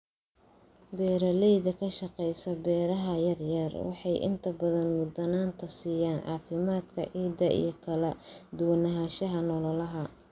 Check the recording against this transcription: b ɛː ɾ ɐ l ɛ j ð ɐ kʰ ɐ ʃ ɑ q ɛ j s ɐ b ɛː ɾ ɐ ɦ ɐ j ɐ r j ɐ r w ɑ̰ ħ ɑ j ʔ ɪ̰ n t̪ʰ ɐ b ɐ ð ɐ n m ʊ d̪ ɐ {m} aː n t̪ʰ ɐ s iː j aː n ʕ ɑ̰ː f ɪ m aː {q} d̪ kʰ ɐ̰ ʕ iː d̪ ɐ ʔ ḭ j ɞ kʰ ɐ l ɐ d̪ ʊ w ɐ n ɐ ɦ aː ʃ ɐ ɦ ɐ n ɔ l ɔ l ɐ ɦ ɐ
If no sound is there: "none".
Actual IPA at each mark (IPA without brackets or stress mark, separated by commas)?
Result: n, none